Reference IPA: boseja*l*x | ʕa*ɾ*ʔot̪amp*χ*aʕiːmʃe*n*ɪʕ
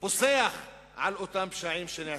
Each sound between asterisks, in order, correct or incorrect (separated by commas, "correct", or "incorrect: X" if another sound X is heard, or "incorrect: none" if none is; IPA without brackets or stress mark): incorrect: none, incorrect: l, incorrect: ʃ, correct